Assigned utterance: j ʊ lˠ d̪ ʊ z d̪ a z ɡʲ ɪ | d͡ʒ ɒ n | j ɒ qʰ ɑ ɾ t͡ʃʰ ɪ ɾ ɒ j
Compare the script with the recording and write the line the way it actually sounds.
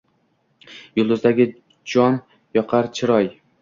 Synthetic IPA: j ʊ lˠ d̪ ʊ z d̪ a ɡʲ ɪ | d͡ʒ ɒ n | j ɒ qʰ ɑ ɾ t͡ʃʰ ɪ ɾ ɒ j

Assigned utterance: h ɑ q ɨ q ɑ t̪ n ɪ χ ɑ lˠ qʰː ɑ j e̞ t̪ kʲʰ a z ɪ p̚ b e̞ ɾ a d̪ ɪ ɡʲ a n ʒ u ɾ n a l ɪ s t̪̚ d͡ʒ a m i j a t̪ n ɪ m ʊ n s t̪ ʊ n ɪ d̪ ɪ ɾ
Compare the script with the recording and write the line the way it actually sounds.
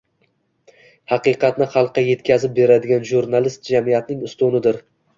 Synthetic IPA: h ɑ q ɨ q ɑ t̪ n ɪ χ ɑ lˠ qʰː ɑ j e̞ t̪ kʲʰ a z ɪ p̚ b e̞ ɾ a d̪ ɪ ɡʲ a n ʒ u ɾ n a l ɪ s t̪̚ d͡ʒ a m i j a t̪ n ɪ ŋ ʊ s t̪ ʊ n ɪ d̪ ɪ ɾ

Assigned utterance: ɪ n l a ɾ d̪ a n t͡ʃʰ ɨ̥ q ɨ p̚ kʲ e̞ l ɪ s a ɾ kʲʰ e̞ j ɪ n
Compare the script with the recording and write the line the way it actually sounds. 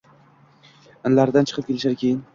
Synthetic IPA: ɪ n l a ɾ d̪ a n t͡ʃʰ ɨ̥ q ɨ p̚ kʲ e̞ l ɪ ʃ a ɾ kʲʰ e̞ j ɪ n

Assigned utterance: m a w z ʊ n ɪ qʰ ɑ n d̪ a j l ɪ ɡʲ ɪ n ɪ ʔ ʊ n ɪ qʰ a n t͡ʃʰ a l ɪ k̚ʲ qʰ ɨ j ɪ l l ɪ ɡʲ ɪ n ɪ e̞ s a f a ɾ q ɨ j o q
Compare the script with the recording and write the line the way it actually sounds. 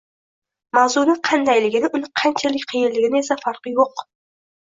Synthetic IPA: m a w z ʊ n ɪ qʰ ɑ n d̪ a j l ɪ ɡʲ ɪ n ɪ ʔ ʊ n ɪ qʰ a n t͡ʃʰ a l ɪ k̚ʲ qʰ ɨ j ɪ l l ɪ ɡʲ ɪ n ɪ e̞ s a f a ɾ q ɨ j o q

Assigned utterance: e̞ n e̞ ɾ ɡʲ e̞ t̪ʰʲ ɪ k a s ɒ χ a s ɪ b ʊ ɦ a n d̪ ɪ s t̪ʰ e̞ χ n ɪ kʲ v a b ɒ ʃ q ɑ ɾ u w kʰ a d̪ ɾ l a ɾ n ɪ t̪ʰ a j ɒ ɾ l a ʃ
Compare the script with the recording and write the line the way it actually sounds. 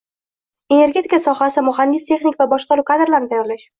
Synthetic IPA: e̞ n e̞ ɾ ɡʲ e̞ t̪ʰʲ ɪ k a s ɒ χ a s ɪ m ʊ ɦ a n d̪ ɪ s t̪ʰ e̞ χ n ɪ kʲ v a b ɒ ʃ q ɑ ɾ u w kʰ a d̪ ɾ l a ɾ n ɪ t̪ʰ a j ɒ ɾ l a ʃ

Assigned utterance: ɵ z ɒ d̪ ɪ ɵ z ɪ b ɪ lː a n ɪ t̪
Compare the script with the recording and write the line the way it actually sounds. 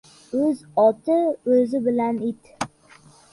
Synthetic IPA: ɵ z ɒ t̪ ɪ ɵ z ɪ b ɪ l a n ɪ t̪

